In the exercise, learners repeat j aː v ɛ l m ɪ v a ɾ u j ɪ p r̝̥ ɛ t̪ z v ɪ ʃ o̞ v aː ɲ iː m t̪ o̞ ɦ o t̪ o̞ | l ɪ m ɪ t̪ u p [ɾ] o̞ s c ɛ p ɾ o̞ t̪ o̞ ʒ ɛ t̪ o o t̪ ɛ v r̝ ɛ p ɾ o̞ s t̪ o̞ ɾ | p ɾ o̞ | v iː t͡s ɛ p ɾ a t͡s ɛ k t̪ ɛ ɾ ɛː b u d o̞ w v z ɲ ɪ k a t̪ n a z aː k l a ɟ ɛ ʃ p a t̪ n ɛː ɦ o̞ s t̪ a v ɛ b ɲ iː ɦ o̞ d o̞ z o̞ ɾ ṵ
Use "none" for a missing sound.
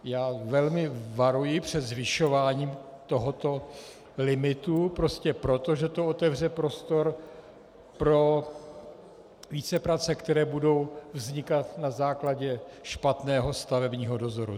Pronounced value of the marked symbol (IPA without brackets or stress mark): ɾ